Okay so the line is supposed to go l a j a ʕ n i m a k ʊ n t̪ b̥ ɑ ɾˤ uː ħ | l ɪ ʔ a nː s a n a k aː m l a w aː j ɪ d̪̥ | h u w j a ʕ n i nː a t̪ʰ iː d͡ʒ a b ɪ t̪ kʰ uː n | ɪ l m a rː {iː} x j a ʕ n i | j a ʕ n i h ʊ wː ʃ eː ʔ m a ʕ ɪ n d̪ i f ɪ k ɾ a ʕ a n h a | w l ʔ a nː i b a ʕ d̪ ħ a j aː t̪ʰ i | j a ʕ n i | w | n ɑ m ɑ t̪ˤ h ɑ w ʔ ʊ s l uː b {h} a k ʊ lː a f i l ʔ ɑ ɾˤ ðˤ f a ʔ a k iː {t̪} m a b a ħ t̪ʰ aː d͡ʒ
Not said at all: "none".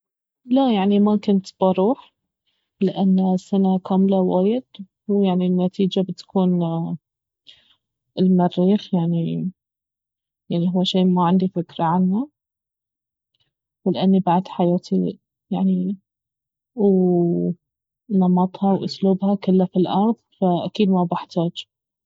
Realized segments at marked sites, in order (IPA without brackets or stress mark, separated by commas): iː, h, d̪